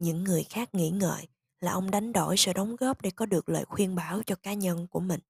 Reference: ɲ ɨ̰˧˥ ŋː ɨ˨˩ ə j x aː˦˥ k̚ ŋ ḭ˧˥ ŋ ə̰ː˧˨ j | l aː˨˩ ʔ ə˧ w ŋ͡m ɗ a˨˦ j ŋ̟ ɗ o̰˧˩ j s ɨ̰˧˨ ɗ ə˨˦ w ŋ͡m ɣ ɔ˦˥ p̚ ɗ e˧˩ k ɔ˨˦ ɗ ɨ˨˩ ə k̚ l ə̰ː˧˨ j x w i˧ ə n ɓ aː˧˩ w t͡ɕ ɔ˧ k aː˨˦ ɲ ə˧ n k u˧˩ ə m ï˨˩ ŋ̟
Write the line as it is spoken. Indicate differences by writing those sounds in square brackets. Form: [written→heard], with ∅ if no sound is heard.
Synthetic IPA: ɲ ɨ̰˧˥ ŋː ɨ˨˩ ə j x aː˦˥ k̚ ŋ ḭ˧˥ ŋ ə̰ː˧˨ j | l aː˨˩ ʔ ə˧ w ŋ͡m ɗ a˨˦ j ŋ̟ ɗ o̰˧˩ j s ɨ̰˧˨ ɗ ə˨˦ w ŋ͡m ɣ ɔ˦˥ p̚ ɗ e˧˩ k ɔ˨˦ ɗ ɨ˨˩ ə k̚ l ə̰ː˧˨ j x w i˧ ə n ɓ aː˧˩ w t͡ɕ ɔ˧ k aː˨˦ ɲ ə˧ n k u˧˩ ə m ï˨˩ ŋ̟